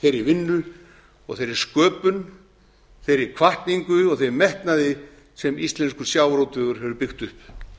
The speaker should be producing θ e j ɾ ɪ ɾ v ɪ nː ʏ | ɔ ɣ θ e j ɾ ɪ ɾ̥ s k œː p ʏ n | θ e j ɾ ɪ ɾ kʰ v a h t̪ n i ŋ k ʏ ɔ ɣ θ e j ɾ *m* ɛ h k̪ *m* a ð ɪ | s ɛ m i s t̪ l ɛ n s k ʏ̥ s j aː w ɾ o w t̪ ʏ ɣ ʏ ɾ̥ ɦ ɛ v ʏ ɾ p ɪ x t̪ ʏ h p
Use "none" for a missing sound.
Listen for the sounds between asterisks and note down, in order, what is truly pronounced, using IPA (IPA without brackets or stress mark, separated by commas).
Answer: m, n